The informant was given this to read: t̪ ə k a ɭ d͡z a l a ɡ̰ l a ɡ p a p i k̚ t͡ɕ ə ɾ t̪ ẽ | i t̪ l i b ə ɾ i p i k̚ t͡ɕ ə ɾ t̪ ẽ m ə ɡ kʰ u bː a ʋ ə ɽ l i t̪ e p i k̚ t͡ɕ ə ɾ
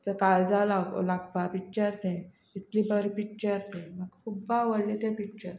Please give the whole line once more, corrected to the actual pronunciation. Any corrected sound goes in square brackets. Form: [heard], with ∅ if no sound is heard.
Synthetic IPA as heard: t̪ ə k a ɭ d͡z a l a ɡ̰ l a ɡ p a p i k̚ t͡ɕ ə ɾ t̪ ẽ | i t̪ l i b ə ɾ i p i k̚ t͡ɕ ə ɾ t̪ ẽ m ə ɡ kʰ u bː a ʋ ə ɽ l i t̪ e p i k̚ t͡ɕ ə ɾ